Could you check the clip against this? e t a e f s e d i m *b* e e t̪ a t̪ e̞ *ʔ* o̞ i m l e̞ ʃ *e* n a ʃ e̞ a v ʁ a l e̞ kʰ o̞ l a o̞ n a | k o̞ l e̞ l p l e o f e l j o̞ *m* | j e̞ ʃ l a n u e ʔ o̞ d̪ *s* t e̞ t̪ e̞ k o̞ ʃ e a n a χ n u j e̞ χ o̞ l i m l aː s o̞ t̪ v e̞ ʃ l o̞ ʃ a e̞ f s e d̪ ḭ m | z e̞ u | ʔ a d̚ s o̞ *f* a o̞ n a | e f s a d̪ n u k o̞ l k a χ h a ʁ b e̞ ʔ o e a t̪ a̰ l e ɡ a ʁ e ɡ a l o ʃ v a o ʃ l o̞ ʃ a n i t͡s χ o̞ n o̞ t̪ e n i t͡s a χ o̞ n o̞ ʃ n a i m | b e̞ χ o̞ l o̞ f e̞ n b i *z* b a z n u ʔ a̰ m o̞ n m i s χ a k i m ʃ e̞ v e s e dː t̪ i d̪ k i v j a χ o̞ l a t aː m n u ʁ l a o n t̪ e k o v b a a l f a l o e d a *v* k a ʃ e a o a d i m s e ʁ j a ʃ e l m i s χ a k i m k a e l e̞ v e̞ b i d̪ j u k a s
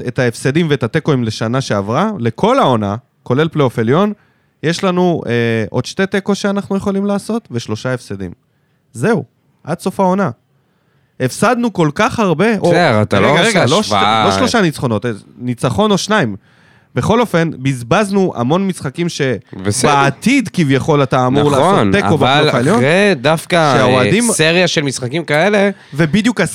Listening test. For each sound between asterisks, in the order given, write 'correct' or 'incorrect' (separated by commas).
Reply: incorrect, incorrect, incorrect, incorrect, incorrect, correct, correct, incorrect